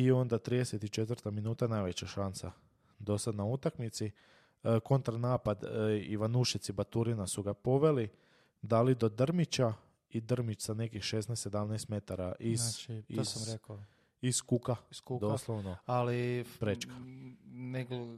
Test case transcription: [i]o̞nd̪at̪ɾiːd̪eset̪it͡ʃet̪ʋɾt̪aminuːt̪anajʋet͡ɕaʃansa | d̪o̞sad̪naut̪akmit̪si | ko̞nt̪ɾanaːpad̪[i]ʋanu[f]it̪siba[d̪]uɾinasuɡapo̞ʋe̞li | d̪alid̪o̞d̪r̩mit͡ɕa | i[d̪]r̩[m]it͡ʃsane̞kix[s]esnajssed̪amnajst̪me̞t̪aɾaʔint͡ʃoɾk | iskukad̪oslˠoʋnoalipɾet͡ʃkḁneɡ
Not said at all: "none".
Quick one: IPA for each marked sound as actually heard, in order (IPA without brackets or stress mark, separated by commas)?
i, i, ʃ, t̪, d̪, m, ʃ